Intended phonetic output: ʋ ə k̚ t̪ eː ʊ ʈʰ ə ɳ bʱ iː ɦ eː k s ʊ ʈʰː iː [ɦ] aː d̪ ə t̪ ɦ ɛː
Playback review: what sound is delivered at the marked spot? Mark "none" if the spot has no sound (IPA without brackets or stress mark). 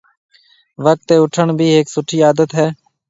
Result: none